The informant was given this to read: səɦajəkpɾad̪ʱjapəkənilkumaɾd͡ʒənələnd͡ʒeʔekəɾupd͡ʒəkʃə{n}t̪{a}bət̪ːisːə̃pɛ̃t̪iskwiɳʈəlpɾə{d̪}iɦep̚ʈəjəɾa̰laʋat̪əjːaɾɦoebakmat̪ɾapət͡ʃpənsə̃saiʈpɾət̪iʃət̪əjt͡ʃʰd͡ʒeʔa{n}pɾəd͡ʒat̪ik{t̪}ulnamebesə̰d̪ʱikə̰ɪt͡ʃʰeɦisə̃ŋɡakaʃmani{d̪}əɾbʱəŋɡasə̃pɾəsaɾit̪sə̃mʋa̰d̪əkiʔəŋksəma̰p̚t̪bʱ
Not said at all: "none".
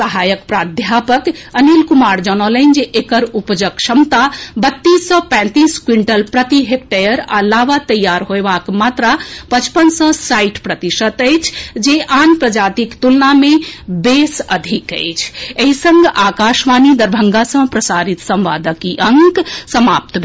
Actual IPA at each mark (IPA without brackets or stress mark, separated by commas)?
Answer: m, a, t̪, n, t̪, d̪